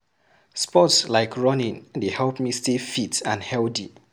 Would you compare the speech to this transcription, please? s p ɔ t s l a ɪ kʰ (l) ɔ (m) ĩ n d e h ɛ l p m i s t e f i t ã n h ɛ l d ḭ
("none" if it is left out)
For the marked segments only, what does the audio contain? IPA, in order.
ɹ, n

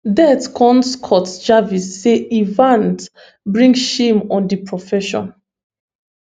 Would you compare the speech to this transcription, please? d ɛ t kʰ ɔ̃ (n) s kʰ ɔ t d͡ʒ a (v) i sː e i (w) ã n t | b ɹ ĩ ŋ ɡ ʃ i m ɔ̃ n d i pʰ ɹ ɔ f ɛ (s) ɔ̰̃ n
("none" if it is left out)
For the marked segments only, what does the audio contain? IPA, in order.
n, v, v, ʃ

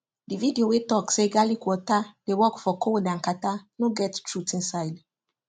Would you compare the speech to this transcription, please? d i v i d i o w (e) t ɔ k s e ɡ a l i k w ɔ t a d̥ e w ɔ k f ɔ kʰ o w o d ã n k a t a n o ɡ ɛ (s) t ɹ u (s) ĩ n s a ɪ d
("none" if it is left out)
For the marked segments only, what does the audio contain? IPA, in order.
e, t, t

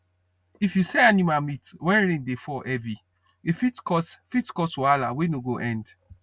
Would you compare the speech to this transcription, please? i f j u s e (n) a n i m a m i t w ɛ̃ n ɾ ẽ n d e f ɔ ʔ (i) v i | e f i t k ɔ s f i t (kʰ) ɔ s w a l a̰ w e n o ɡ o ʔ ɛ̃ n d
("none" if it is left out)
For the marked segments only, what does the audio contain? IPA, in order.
none, ɛ, k

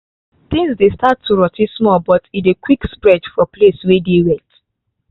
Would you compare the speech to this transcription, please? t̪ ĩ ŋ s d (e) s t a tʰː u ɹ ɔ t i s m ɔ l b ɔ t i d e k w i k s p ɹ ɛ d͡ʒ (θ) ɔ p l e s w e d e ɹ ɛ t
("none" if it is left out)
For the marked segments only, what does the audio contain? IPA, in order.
e, f

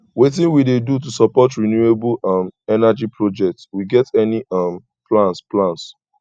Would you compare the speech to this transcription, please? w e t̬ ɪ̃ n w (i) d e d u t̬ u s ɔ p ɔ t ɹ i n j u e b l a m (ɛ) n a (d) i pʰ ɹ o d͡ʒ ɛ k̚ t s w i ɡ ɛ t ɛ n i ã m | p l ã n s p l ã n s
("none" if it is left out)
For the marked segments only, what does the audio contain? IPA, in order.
i, ɛ, d͡ʒ

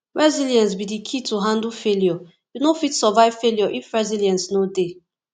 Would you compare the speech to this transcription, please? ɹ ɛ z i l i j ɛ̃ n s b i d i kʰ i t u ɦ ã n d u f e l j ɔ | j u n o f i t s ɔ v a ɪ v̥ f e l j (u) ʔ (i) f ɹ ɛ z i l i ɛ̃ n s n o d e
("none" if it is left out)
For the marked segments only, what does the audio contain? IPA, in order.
ɔ, i

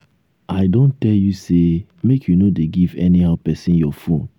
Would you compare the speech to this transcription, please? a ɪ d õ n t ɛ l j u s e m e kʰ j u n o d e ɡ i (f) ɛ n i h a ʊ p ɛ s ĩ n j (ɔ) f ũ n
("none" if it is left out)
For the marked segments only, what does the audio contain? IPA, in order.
v, ɔ

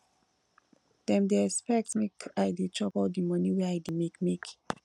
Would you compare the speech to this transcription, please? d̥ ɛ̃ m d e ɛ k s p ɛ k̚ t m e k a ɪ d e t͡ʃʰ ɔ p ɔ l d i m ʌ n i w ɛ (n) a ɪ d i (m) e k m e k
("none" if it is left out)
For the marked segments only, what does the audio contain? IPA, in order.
none, m

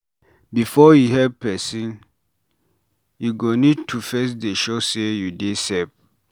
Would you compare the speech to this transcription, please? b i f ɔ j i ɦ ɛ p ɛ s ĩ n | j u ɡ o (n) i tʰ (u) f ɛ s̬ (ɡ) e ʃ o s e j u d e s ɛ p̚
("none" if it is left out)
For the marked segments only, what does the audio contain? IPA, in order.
n, u, d

